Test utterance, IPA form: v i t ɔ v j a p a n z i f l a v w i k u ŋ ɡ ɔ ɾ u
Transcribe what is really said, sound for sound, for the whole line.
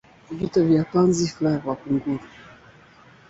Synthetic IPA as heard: v i t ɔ v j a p a n z i f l a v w a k u ŋ ɡ u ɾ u